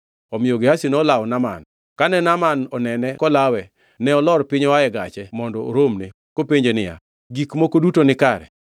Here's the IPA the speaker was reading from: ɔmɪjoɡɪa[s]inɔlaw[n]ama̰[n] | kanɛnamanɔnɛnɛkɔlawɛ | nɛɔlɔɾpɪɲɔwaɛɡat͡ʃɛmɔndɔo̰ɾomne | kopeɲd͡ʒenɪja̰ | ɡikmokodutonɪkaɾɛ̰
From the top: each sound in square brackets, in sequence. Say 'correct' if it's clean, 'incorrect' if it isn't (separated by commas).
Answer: correct, correct, correct